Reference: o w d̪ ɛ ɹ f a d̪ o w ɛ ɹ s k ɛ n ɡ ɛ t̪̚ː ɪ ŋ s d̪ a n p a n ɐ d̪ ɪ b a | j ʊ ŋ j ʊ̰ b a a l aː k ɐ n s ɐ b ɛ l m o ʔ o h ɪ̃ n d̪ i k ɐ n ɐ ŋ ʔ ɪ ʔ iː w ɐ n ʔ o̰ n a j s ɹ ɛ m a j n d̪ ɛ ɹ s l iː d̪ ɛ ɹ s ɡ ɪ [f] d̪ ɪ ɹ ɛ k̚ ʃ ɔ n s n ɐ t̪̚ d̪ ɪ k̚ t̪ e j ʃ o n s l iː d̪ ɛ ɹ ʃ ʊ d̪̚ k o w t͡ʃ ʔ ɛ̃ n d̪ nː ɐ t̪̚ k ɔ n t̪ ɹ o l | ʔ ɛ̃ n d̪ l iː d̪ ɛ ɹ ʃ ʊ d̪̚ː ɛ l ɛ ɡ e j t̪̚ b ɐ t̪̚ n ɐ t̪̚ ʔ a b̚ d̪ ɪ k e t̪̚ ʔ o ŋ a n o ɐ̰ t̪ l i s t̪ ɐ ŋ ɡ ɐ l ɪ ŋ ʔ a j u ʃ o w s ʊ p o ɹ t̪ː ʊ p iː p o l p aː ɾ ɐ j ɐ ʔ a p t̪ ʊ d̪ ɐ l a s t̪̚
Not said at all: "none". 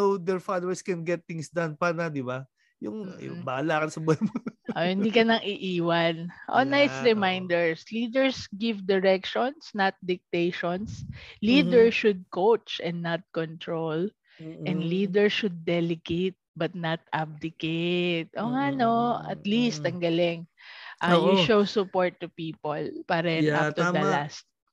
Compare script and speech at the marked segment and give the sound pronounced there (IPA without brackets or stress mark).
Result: v